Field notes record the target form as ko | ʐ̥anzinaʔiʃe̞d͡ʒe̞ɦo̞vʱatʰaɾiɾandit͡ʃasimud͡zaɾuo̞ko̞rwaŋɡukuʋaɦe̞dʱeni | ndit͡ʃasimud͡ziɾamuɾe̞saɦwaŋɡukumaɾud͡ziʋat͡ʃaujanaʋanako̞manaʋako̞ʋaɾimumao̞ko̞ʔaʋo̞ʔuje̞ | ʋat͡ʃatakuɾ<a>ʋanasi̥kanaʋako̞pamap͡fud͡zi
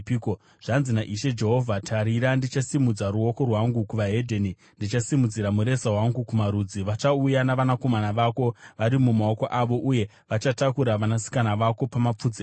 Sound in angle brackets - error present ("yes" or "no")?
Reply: no